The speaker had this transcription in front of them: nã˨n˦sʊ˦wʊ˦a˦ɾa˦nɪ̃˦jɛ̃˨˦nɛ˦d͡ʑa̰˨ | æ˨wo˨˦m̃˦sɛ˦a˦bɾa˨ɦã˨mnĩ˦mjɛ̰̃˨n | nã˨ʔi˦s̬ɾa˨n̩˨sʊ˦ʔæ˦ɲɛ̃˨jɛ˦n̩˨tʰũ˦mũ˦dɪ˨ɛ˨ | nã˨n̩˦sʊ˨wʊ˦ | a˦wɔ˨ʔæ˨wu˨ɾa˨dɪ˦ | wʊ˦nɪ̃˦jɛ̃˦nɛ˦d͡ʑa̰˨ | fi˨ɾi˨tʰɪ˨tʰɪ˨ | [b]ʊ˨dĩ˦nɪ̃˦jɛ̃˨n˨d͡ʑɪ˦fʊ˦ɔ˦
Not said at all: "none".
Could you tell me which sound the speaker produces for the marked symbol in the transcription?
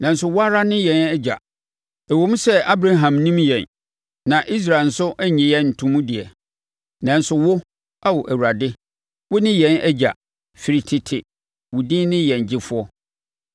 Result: w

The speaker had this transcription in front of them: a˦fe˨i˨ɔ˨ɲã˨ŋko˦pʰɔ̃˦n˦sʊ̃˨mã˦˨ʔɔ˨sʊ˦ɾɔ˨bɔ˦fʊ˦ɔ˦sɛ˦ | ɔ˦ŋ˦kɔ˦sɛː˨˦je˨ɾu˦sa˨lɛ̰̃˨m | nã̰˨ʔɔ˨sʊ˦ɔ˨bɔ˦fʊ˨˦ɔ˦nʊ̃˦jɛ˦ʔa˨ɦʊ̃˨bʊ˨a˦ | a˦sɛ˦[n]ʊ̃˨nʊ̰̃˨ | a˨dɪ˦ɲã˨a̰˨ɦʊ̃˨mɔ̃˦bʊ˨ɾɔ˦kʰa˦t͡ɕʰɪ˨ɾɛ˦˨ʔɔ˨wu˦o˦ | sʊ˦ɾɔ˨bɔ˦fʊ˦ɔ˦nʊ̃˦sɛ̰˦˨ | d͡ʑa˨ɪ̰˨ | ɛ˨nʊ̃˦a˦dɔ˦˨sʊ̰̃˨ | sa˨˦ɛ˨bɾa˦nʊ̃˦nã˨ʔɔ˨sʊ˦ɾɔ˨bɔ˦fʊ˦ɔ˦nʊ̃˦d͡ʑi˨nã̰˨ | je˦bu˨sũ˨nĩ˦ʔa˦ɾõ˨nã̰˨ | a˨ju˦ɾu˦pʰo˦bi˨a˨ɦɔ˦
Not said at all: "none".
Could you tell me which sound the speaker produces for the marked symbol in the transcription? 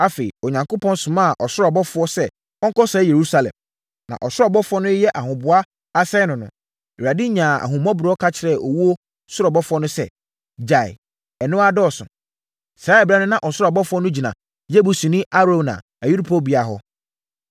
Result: n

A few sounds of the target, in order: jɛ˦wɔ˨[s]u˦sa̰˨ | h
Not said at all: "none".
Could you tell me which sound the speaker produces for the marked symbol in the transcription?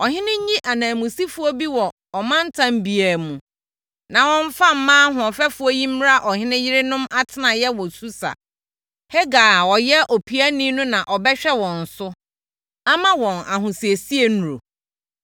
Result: s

